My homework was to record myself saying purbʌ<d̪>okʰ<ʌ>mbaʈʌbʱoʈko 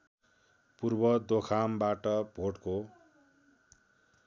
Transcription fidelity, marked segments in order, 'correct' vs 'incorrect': correct, incorrect: a

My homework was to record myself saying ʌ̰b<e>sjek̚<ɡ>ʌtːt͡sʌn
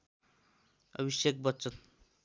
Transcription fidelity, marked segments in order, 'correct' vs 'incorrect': incorrect: i, incorrect: b

